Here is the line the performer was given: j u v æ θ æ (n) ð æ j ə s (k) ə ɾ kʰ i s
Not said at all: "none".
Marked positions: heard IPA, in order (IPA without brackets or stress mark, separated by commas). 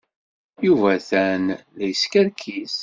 n, k